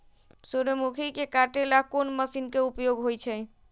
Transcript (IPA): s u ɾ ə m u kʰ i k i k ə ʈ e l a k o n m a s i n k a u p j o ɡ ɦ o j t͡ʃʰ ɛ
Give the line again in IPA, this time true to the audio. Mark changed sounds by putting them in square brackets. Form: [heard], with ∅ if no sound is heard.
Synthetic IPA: s u ɾ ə m u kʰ i k [e] k [a] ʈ e l a k o n m [ə] s i n k [e] u p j o ɡ ɦ o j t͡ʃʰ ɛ